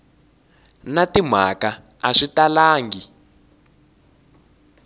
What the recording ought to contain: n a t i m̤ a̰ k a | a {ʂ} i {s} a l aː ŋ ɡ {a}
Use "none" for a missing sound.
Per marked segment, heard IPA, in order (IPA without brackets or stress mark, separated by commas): ʂ, t, i